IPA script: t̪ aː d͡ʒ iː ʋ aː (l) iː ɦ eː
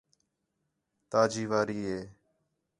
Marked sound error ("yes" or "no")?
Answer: yes